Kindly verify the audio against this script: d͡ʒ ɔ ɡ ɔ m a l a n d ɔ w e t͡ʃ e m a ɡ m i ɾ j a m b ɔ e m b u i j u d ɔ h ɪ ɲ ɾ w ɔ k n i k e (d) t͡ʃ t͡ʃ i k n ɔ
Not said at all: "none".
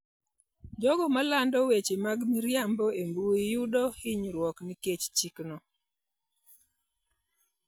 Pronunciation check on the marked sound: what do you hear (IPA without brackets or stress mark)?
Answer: none